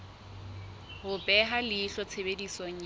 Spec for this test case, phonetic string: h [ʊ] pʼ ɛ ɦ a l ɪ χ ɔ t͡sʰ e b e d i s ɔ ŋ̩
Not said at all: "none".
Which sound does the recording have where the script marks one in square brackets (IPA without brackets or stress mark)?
ʊ